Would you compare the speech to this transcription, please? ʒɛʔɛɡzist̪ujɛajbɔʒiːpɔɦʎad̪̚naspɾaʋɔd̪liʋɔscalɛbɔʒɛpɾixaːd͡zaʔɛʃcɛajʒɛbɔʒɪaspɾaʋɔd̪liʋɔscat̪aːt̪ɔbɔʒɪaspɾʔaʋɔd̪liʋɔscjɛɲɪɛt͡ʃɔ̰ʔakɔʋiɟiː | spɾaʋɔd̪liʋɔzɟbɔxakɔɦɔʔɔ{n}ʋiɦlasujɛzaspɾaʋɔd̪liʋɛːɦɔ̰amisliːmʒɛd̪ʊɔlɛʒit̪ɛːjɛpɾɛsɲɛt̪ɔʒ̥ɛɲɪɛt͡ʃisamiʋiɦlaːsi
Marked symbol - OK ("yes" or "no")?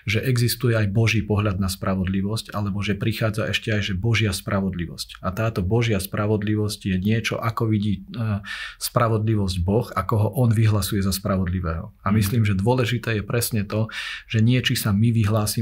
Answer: yes